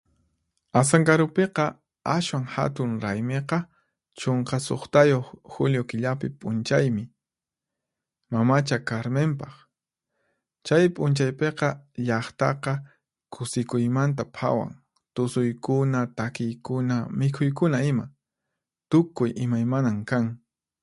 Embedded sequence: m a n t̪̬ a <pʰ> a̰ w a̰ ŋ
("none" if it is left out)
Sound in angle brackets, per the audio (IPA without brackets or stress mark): pʰ